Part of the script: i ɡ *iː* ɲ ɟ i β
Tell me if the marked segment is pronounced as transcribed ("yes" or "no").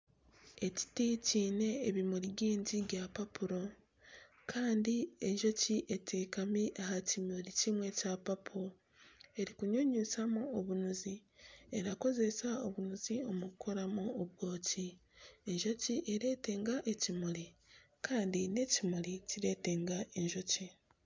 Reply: yes